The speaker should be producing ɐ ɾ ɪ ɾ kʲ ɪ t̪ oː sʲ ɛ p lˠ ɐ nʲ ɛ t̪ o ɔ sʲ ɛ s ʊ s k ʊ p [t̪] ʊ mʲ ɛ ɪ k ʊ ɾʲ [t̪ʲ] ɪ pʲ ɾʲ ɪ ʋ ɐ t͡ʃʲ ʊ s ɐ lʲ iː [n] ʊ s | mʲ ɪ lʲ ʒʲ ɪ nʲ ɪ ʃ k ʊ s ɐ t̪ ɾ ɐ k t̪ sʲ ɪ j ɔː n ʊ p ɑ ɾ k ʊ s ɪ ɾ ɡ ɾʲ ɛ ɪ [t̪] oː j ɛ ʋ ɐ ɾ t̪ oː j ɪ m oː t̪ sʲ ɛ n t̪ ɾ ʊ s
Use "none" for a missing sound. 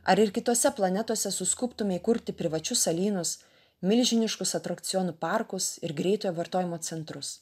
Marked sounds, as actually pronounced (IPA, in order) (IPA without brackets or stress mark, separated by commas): t̪, t̪ʲ, n, t̪